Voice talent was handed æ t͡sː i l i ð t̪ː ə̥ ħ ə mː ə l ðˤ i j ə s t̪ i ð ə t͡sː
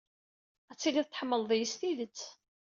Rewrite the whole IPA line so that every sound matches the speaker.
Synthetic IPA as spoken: æ t͡sː i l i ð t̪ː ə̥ ħ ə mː ə l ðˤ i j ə s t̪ i ð ə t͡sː